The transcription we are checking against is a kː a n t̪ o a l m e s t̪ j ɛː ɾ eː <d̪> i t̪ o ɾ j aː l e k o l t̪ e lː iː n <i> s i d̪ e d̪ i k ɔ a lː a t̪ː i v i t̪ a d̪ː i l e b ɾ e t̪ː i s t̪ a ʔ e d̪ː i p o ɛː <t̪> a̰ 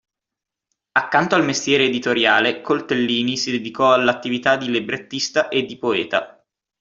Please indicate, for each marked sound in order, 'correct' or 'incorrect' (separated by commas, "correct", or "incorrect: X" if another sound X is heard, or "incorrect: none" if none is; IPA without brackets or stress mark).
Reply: correct, correct, correct